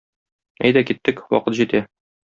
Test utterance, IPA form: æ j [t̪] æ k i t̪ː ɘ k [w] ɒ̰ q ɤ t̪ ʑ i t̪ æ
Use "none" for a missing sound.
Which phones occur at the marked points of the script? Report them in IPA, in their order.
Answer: d̪, w

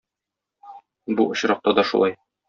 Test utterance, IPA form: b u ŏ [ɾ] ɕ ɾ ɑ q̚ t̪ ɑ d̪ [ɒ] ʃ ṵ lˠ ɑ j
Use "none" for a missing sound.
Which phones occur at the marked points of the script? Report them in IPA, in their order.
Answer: none, ɒ

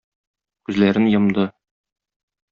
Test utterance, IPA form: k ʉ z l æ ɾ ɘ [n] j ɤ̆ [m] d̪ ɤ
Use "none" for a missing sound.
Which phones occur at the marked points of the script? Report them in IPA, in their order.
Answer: n, m

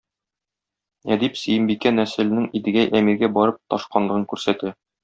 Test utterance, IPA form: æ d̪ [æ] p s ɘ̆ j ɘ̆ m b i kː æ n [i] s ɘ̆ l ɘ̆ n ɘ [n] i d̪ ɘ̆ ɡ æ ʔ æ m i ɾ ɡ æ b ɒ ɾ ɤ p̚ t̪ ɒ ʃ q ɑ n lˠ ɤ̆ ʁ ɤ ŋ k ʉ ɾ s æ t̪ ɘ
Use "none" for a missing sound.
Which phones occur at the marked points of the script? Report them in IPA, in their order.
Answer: i, æ, ŋ

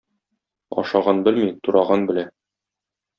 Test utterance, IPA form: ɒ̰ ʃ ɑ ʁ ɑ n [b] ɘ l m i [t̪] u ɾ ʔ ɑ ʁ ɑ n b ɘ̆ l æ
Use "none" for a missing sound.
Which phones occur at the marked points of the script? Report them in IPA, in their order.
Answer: b, t̪

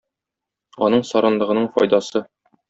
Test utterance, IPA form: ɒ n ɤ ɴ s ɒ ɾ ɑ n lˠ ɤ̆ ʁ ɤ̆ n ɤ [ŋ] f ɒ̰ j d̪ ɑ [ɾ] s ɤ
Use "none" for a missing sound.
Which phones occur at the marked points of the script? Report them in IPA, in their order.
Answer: ɴ, none

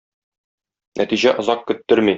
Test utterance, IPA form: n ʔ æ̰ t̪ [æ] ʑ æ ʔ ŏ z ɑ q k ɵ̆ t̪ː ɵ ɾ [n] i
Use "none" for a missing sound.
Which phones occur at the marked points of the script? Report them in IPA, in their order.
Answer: i, m

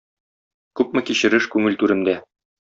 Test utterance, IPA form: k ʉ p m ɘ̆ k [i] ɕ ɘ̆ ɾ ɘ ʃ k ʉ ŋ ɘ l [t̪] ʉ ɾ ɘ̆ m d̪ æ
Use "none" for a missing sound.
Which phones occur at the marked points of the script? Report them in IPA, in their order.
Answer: i, t̪

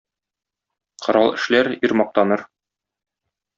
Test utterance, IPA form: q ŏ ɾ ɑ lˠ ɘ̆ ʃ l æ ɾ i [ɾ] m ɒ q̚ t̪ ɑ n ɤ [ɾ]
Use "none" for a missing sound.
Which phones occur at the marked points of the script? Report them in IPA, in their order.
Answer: ɾ, ɾ

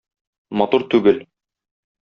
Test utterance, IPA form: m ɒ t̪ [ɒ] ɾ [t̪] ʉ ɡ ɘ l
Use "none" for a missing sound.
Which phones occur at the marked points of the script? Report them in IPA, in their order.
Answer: u, t̪

